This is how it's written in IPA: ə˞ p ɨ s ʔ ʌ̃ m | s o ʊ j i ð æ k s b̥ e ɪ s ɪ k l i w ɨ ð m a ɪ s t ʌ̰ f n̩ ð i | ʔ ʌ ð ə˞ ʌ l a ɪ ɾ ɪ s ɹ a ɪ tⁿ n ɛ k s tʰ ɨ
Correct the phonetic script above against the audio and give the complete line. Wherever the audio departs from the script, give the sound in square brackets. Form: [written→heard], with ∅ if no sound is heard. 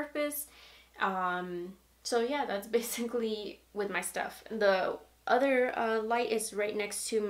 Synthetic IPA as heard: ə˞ p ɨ s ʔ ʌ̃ m | s o ʊ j [i→æ] ð æ [k→t] s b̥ e ɪ s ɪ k l i w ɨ ð m a ɪ s t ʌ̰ f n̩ ð i | ʔ ʌ ð ə˞ ʌ l a ɪ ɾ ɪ [s→z] ɹ a ɪ tⁿ n ɛ k s tʰ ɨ